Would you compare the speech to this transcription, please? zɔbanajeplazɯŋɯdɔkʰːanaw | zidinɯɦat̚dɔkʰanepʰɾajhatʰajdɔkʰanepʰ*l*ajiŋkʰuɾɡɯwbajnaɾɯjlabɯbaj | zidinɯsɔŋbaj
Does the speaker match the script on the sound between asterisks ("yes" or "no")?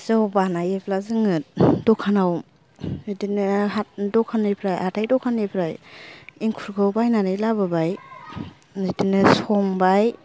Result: no